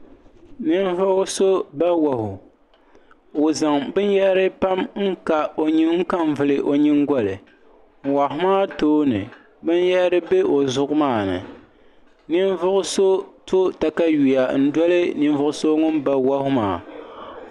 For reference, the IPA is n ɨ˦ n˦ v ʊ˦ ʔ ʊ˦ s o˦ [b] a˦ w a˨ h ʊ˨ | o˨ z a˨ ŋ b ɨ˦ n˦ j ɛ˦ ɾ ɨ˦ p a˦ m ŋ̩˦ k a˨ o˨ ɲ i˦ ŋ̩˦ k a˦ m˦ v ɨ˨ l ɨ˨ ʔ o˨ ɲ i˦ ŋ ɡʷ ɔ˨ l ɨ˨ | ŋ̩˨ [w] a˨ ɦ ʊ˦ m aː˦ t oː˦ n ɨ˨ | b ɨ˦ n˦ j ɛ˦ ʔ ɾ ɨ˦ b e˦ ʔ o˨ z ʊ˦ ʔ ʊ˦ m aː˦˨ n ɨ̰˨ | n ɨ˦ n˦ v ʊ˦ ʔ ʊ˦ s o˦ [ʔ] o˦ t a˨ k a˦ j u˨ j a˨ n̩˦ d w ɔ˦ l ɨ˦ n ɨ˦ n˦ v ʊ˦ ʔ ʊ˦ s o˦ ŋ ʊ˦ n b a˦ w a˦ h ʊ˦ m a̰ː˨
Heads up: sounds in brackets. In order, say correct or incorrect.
correct, correct, incorrect: t

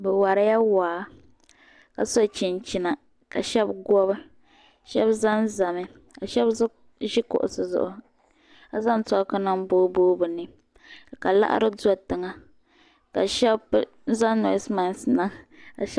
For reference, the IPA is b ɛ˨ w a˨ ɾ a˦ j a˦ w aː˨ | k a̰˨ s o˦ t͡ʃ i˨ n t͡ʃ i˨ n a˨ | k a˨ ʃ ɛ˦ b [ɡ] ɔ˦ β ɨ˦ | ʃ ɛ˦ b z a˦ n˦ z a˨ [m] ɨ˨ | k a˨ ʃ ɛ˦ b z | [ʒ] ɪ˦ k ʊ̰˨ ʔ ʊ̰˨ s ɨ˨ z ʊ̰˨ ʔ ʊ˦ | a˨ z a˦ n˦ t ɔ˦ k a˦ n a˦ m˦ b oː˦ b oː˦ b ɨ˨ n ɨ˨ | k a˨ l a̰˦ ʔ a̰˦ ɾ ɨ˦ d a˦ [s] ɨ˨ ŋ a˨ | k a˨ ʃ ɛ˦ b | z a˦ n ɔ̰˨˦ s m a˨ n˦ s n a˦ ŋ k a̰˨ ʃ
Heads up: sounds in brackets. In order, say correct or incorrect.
correct, correct, correct, incorrect: t

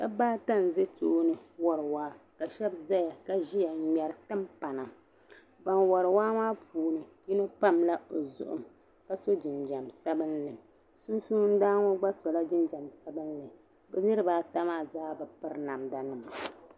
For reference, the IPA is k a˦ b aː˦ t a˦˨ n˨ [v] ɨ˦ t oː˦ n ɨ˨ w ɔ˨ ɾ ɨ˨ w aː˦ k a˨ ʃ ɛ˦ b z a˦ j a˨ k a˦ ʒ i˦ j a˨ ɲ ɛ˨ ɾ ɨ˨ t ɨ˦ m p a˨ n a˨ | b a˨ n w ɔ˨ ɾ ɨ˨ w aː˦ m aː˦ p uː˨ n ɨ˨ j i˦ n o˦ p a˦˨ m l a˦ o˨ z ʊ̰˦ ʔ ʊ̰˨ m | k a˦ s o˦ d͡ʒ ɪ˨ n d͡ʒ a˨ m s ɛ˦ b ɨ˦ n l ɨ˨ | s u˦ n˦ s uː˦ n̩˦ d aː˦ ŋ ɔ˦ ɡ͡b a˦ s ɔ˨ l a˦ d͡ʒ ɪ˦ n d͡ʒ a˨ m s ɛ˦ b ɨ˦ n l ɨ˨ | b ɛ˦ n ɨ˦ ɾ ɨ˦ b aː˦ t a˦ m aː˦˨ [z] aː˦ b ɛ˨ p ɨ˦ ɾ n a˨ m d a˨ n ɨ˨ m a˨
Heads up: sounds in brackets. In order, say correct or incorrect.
incorrect: z, correct

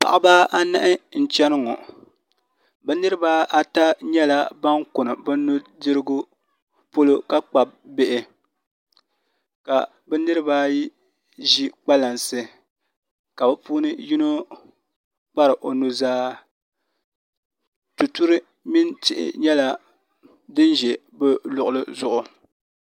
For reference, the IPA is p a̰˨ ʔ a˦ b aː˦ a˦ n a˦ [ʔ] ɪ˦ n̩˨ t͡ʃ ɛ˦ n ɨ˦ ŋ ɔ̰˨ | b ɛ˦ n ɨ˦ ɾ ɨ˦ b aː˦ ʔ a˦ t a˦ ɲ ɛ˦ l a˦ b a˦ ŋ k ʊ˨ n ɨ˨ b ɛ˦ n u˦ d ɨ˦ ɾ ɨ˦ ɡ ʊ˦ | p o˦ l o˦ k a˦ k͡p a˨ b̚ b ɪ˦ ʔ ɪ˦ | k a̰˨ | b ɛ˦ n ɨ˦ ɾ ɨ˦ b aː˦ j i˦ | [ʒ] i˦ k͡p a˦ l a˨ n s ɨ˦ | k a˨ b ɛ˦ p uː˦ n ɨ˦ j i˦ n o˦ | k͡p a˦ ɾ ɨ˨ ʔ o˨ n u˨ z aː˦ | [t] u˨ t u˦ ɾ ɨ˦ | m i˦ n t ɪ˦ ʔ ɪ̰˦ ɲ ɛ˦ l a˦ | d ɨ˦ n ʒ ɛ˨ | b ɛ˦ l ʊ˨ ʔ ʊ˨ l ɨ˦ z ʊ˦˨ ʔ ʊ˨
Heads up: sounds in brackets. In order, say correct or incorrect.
correct, correct, correct

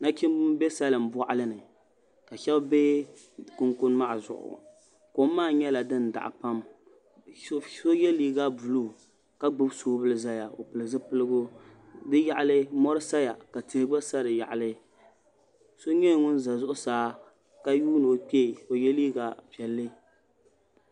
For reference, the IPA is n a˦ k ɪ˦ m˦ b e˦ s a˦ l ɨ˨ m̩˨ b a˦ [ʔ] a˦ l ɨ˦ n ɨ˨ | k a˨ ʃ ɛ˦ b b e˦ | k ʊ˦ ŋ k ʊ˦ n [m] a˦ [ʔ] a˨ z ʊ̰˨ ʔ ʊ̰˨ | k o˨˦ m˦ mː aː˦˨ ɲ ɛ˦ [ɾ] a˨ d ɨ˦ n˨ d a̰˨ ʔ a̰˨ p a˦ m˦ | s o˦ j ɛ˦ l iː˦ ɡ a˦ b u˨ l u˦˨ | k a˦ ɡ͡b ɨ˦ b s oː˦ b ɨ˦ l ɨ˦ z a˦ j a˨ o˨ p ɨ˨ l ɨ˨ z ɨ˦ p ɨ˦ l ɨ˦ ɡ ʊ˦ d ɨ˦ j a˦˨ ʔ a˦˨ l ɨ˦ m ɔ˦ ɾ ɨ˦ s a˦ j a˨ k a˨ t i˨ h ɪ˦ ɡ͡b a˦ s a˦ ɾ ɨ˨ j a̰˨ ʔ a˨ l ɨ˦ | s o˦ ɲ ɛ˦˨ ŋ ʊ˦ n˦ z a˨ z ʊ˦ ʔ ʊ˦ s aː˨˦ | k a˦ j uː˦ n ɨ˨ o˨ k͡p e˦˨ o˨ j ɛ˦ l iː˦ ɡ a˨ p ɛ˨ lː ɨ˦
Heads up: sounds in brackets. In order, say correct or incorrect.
correct, correct, correct, incorrect: l

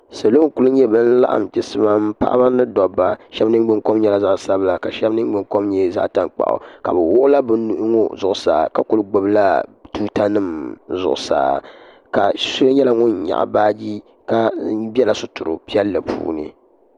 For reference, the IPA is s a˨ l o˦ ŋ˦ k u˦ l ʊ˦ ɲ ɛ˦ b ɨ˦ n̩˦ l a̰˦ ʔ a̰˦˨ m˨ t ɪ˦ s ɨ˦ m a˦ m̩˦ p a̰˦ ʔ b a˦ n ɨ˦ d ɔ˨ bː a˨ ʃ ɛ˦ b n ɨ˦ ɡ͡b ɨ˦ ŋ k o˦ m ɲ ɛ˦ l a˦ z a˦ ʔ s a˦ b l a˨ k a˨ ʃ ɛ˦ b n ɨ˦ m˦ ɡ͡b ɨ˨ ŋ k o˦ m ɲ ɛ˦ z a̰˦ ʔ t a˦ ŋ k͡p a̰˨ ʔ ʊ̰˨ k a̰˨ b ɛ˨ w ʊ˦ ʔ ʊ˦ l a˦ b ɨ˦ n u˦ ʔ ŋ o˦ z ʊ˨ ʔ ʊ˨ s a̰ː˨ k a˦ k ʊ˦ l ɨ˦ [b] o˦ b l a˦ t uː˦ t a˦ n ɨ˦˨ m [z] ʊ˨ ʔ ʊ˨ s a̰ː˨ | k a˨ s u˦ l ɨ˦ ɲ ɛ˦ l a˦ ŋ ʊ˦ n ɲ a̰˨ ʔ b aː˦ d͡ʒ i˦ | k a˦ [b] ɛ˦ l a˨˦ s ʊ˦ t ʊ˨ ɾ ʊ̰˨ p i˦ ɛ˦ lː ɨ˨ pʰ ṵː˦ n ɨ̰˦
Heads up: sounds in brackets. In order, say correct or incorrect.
incorrect: ɡ͡b, correct, correct

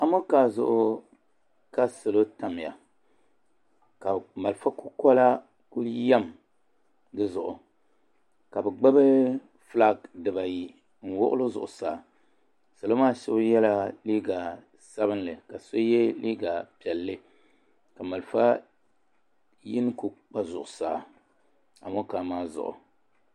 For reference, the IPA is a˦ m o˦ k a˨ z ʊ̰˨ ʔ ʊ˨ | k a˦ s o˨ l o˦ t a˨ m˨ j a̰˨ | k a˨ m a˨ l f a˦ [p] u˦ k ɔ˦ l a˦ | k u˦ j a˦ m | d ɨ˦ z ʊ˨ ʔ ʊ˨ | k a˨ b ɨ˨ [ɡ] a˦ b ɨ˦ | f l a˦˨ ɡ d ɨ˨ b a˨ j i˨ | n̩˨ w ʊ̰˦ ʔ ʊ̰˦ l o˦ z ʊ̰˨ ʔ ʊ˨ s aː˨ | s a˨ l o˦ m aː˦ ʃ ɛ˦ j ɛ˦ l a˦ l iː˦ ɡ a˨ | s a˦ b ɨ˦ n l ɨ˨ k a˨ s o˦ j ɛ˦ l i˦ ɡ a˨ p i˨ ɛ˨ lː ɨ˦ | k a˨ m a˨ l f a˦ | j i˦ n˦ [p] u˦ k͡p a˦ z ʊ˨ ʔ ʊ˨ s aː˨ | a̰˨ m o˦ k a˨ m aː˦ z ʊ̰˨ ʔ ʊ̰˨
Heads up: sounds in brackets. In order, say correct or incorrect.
incorrect: k, incorrect: ɡ͡b, incorrect: k

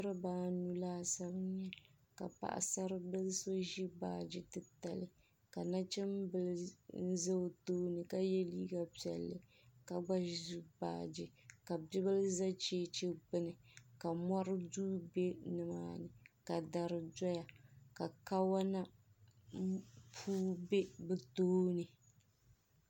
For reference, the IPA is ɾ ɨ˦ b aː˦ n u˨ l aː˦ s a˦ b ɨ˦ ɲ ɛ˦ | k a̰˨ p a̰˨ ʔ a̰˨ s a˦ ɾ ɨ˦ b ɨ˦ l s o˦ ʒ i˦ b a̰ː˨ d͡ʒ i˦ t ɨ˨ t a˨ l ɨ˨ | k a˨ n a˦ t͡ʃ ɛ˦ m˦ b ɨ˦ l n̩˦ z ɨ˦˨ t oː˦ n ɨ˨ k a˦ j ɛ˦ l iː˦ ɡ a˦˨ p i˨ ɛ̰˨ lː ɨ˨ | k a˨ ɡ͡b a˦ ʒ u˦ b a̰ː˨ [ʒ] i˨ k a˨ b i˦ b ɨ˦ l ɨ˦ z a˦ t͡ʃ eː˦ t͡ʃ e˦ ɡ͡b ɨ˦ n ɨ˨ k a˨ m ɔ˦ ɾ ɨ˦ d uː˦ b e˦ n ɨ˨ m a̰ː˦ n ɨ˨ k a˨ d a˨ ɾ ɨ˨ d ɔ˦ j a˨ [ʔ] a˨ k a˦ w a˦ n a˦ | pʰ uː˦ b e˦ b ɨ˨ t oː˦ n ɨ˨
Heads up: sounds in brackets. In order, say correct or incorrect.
incorrect: d͡ʒ, incorrect: k

